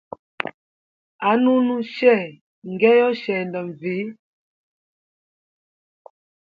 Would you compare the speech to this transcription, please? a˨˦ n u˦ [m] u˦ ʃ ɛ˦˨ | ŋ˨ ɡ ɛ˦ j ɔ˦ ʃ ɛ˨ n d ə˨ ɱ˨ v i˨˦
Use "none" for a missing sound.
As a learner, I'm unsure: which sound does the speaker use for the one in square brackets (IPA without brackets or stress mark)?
n